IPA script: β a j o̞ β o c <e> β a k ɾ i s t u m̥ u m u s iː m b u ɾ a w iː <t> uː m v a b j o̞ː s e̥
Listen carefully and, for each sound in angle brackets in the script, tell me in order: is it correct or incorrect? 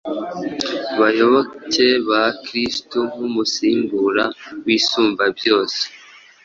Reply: correct, incorrect: s

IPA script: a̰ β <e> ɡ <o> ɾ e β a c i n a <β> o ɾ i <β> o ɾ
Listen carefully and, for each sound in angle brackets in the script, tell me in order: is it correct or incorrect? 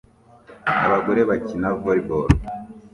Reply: incorrect: a, correct, incorrect: v, incorrect: b

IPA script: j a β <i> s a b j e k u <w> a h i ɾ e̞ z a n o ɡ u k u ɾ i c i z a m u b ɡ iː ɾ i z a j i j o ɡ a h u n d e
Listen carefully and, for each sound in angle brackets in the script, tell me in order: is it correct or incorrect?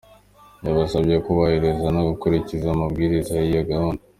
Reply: incorrect: a, incorrect: β

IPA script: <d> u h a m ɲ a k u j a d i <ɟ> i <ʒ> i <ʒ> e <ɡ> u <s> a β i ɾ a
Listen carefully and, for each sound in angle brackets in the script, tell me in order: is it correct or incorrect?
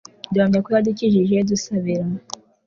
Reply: correct, incorrect: c, correct, correct, incorrect: d, correct

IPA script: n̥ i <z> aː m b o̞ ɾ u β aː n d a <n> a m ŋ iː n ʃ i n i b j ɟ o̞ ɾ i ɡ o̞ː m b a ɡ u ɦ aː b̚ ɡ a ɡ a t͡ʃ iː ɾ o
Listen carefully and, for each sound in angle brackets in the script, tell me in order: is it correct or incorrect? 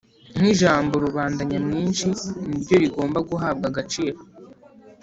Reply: incorrect: ʒ, incorrect: ɲ

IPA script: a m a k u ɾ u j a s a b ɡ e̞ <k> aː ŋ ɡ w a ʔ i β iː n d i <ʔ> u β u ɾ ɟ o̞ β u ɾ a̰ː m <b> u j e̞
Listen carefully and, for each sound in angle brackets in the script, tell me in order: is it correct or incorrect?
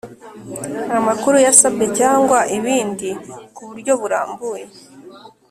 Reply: incorrect: c, incorrect: k, correct

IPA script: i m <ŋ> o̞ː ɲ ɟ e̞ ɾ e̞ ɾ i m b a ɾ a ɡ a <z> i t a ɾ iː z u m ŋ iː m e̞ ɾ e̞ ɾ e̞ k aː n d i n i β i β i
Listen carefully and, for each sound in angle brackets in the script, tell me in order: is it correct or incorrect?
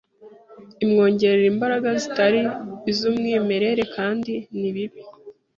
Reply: correct, correct

